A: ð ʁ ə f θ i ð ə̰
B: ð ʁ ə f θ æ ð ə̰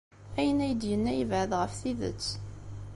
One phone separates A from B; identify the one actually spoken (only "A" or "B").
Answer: A